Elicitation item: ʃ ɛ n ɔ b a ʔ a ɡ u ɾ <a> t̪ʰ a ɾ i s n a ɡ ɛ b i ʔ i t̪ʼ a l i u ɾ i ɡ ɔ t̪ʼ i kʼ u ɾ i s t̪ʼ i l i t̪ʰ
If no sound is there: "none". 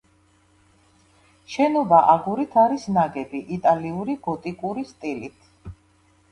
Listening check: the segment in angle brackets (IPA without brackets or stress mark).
i